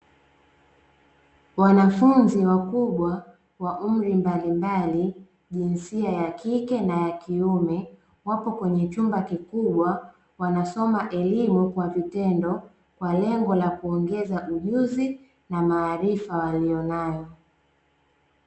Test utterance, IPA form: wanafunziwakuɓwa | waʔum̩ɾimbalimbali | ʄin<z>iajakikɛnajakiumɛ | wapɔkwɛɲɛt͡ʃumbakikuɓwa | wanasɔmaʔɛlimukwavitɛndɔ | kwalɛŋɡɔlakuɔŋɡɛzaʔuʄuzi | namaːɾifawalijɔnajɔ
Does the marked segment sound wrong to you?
yes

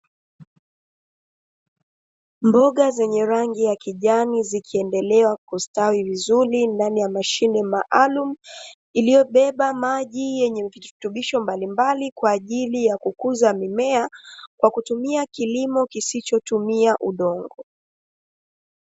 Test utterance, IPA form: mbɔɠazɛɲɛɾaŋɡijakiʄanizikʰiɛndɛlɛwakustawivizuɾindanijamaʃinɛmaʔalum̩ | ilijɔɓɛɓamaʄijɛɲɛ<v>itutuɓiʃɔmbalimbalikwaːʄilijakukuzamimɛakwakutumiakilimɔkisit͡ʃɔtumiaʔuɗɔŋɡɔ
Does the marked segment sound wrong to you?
no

